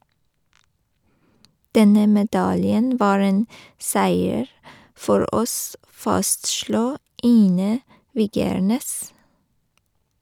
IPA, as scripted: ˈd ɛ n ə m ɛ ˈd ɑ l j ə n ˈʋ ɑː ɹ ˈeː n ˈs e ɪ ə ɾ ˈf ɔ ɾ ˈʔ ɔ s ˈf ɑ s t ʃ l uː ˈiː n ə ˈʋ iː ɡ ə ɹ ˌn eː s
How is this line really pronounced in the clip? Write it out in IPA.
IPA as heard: ˈd ɛ n ə m ɛ ˈd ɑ l j ə n ˈʋ ɑː ɹ ˈeː n ˈs æ ɪ ə ɹ ˈf ɔ ɾ ˈʔ ɔ s ˈf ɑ s t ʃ l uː ˈiː n ə ˈʋ iː ɡ ə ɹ ˌn eː s